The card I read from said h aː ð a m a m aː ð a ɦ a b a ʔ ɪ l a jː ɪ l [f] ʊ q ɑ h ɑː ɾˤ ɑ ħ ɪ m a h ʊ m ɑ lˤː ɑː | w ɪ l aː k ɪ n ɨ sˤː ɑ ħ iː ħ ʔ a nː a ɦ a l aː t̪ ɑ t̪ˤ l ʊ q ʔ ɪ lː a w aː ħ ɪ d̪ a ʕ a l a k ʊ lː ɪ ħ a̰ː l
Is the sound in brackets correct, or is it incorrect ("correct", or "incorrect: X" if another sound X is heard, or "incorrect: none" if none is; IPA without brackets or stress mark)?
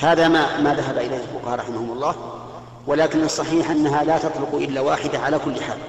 correct